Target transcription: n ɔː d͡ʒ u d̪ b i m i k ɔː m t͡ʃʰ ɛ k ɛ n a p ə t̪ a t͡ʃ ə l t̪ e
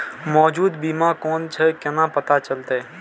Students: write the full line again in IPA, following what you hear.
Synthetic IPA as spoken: m ɔː d͡ʒ uː d̪ b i m a k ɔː n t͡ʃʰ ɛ k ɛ n a p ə t̪ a t͡ʃ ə l t̪ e

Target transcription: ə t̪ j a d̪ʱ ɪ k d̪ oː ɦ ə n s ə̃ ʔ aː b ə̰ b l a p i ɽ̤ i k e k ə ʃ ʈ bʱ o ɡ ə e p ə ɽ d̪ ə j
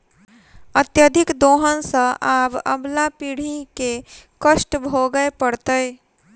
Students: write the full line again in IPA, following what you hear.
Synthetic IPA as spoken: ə t̪ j ə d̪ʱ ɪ k d̪ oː ɦ ə n s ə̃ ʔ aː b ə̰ b l a p i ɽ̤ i k e k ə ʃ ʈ bʱ o ɡ ə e p ə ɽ t̪ ə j

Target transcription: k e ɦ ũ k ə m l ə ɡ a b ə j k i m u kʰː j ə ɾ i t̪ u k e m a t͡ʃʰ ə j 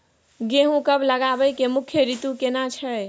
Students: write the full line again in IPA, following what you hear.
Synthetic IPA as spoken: ɡ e ɦ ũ k ə b l ə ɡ a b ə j k e m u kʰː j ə ɾ i t̪ u k e n a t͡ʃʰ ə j

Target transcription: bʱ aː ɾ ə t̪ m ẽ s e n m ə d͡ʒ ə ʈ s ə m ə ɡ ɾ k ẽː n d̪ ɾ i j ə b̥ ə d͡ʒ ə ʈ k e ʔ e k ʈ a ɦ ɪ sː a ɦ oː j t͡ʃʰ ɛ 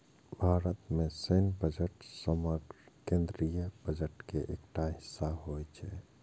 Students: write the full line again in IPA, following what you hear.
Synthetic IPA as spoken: bʱ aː ɾ ə t̪ m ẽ s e n b ə d͡ʒ ə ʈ s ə m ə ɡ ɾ k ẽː n d̪ ɾ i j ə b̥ ə d͡ʒ ə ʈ k e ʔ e k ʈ a ɦ ɪ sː a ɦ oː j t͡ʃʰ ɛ

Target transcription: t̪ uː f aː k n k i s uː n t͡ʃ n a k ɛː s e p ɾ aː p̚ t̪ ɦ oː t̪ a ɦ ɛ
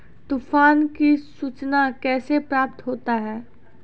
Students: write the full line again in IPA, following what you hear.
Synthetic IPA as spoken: t̪ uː f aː n k i s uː t͡ʃ n a k ɛː s e p ɾ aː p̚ t̪ ɦ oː t̪ a ɦ ɛː

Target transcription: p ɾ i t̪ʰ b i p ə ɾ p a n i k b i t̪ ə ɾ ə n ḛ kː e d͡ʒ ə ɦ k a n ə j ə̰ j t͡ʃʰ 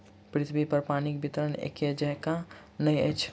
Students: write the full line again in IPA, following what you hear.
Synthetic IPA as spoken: p ɾ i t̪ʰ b i p ə ɾ p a n i k b i t̪ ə ɾ ə n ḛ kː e d͡ʒ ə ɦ k a n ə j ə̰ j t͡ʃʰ

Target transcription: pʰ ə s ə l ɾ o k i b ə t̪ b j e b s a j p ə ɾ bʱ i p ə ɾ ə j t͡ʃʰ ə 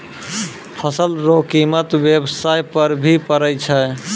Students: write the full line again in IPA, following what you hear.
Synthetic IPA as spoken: pʰ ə s ə l ɾ o k i m ə t̪ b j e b s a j p ə ɾ bʱ i p ə ɾ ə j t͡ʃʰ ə

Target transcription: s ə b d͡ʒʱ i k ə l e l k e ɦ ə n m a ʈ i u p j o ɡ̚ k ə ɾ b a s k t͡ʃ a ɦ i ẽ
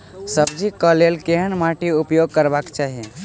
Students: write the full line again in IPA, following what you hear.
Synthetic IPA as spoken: s ə b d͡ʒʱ i k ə l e l k e ɦ ə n m a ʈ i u p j o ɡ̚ k ə ɾ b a k t͡ʃ a ɦ i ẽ

